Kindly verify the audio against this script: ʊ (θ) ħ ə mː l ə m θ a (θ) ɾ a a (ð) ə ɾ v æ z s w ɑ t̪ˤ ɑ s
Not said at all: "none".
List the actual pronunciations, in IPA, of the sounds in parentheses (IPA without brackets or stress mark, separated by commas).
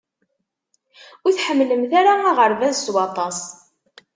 θ, none, ʁ